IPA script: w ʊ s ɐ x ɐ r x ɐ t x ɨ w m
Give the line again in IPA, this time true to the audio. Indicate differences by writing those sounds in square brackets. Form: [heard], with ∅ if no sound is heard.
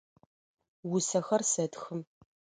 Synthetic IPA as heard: w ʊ s ɐ x ɐ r [s] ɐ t x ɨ [∅] m